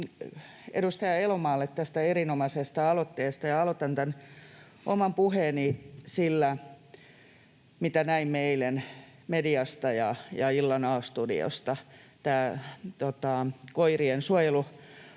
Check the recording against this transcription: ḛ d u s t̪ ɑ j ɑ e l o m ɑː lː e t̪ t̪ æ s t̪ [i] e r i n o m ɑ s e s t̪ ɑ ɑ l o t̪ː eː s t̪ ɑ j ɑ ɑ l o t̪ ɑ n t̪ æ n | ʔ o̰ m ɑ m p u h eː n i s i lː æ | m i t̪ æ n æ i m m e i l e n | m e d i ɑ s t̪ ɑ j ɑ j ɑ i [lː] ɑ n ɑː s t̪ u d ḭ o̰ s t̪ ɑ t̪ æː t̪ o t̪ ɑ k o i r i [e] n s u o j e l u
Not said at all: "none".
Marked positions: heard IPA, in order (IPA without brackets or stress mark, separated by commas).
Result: æ, lː, e